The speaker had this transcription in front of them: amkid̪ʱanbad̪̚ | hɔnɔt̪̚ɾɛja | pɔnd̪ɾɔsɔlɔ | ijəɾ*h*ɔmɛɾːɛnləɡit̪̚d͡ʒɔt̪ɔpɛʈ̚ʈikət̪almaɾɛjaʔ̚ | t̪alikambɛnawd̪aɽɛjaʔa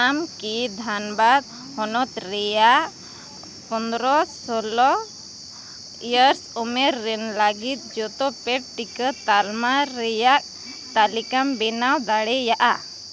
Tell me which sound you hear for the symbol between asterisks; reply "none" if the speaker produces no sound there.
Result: s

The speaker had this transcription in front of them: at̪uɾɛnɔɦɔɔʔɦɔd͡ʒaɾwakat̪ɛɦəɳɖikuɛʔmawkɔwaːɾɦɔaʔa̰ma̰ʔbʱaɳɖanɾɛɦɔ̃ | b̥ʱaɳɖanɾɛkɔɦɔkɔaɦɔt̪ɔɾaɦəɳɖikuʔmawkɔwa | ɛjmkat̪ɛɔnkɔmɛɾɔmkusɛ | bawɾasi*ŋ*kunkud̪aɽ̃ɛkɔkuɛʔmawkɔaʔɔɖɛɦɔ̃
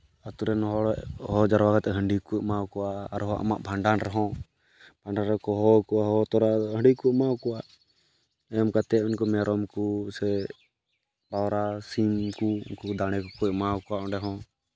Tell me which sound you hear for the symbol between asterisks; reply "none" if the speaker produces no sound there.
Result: m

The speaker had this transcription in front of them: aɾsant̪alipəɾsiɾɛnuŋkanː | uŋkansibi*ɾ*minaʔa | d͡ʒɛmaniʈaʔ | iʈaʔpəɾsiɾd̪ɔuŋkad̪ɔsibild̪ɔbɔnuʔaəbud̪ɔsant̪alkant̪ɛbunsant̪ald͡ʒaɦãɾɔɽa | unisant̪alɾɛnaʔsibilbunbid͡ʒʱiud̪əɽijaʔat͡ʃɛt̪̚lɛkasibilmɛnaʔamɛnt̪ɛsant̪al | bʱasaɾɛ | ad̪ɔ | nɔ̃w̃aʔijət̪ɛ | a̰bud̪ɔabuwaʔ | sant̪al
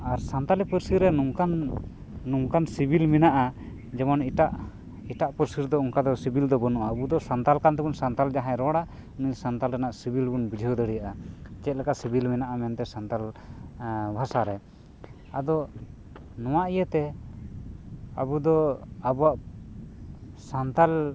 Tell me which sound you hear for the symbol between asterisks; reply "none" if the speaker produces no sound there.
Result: l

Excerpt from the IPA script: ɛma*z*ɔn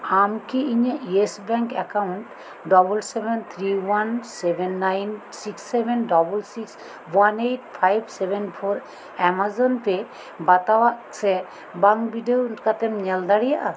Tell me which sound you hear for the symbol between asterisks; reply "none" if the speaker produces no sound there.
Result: z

